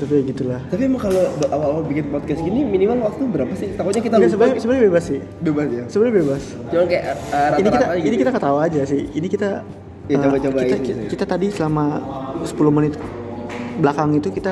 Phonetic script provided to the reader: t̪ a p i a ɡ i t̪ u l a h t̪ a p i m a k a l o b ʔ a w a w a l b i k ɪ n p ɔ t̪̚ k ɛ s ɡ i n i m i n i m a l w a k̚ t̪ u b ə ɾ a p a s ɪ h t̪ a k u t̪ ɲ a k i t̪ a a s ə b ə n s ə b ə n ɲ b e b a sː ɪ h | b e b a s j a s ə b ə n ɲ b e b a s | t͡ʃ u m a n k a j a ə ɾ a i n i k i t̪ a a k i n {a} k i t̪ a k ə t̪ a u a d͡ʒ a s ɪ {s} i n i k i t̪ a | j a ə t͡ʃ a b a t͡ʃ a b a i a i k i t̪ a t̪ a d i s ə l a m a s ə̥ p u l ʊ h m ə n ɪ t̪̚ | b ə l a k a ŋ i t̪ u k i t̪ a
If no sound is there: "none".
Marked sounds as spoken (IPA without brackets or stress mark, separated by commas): i, h